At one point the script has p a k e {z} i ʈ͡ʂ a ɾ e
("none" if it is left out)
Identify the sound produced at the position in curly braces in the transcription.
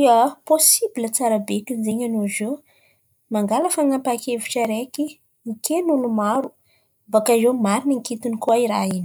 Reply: v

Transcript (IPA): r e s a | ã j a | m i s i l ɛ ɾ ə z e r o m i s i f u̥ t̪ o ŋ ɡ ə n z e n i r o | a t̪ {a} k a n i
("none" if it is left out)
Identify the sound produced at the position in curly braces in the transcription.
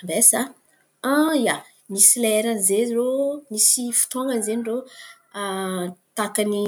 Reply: a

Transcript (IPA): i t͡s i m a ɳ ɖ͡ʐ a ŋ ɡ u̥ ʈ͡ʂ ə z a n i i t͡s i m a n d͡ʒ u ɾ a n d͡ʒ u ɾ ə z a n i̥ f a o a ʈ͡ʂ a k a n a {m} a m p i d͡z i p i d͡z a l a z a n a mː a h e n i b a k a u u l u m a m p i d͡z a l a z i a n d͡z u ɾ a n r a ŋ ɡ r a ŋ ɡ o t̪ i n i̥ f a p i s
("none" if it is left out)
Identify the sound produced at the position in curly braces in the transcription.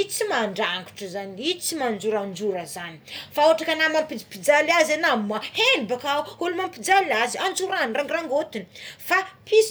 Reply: m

